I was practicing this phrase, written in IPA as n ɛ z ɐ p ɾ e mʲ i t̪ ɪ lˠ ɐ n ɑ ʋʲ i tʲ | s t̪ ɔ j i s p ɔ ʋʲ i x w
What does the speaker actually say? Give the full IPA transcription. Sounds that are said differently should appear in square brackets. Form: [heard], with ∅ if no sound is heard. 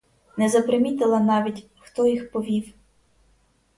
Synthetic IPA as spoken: n ɛ z ɐ p ɾ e mʲ i t̪ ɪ lˠ ɐ n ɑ ʋʲ i tʲ | [x] t̪ ɔ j i [x] p ɔ ʋʲ i [∅] w